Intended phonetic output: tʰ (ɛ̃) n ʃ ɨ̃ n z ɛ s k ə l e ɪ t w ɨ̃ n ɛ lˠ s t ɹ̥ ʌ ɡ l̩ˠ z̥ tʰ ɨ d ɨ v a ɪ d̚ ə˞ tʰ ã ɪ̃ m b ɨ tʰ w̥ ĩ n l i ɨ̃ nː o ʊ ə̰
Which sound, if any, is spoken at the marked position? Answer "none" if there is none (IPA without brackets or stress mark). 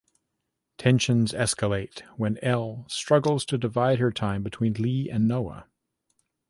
ɛ̃